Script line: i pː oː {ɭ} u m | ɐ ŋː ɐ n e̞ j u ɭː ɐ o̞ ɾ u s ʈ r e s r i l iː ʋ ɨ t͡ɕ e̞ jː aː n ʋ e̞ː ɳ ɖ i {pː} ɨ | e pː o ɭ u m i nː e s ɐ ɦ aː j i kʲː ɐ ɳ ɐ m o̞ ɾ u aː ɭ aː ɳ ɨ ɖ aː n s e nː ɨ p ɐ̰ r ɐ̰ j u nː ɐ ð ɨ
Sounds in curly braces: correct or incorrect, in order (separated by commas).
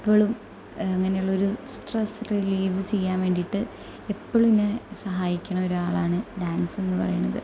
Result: correct, incorrect